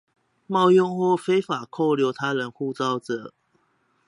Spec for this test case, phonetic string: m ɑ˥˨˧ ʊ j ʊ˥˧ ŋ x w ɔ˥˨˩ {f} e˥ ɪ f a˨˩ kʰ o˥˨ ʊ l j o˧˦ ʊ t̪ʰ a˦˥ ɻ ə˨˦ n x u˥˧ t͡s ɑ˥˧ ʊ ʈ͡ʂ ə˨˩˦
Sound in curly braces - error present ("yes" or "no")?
no